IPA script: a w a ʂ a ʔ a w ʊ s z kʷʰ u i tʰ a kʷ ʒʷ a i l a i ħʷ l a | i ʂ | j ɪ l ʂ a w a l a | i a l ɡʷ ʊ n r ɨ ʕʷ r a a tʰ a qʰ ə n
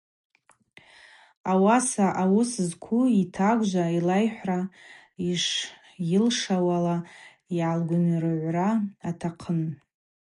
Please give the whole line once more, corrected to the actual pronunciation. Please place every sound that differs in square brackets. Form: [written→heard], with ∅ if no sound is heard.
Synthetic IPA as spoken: a w a [ʂ→s] a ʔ a w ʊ s z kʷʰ u i tʰ a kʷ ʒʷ a i l a [i→j] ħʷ [l→r] a | i ʂ | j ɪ l ʂ a w a l a | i a l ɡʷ ʊ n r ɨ ʕʷ r a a tʰ a qʰ ə n